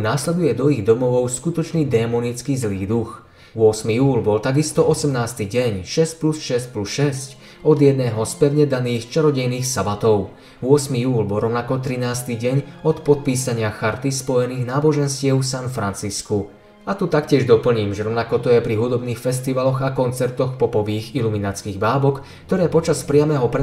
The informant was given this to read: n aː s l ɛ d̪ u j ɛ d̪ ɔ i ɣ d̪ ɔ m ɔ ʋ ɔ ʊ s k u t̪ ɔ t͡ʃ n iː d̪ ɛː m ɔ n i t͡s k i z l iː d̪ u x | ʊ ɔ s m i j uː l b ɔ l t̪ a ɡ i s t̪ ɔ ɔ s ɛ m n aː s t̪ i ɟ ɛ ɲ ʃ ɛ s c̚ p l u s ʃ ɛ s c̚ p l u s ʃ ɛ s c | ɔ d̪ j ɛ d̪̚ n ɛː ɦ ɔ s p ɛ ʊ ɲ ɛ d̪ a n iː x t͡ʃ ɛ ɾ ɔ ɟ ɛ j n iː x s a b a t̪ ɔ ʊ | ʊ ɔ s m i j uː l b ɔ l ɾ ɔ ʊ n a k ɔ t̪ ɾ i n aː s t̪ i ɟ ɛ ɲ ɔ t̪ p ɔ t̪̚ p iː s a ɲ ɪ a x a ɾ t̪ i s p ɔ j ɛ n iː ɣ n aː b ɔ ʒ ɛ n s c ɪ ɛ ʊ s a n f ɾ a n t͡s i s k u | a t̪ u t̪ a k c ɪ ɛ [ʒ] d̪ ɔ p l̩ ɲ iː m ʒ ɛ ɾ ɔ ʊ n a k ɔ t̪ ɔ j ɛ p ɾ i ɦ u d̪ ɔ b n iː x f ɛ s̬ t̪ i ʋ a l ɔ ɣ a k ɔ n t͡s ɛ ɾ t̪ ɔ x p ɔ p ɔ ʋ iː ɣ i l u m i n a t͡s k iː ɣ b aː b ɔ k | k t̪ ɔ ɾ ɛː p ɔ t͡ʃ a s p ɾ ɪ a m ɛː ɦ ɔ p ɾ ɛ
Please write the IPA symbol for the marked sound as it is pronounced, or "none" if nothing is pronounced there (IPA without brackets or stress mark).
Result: ʒ